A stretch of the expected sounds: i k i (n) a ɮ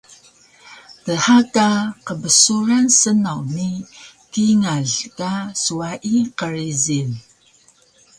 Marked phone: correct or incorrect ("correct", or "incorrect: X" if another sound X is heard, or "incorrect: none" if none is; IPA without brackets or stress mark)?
incorrect: ŋ